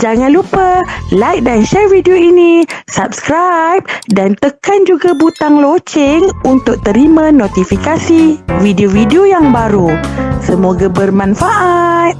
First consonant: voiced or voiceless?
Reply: voiced